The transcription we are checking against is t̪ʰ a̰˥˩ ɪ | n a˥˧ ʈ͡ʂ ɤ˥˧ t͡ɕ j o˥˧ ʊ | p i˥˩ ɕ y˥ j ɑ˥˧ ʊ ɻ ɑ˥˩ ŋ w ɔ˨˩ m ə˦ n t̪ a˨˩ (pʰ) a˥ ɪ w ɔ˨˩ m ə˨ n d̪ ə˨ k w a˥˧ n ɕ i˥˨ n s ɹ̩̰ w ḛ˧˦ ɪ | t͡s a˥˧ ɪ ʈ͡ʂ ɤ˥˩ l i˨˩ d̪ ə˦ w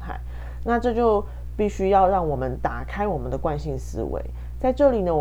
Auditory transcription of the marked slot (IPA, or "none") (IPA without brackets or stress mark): kʰ